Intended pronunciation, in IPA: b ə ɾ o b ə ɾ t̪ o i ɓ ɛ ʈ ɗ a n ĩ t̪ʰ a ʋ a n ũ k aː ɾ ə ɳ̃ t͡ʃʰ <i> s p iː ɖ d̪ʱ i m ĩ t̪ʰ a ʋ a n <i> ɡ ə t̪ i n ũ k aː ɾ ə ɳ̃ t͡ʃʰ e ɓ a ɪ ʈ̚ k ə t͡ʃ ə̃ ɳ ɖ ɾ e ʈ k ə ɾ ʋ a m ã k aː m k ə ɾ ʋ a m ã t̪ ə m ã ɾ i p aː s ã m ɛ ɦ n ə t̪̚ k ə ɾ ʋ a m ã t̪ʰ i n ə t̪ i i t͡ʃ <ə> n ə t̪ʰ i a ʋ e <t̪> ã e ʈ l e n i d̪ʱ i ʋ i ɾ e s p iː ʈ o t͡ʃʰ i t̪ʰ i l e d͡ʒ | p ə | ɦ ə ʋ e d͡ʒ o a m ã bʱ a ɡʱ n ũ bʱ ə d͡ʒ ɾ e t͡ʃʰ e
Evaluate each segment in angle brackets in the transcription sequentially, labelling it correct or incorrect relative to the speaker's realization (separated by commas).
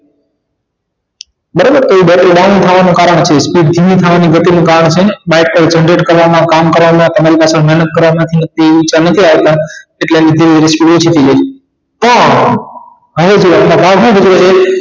incorrect, correct, incorrect, correct